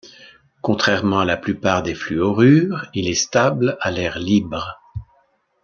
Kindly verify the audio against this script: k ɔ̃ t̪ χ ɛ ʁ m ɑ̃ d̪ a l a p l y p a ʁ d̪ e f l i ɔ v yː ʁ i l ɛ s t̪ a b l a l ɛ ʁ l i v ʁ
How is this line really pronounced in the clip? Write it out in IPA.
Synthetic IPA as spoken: k ɔ̃ t̪ χ ɛ ʁ m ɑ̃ a l a p l y p a ʁ d̪ e f l y ɔ ʁ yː ʁ i l ɛ s t̪ a b l a l ɛ ʁ l i b ʁ